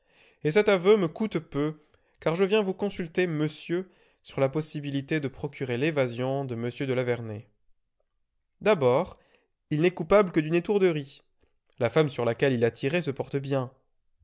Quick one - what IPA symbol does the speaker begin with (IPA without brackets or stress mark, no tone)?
e